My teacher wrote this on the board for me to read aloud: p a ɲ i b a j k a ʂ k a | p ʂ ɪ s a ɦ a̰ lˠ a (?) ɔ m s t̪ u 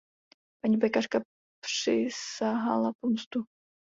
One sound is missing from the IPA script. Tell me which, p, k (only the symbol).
p